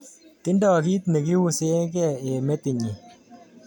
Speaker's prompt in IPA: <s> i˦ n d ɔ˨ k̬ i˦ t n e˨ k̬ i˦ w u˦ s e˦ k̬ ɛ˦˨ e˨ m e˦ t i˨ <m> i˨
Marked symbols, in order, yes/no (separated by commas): no, no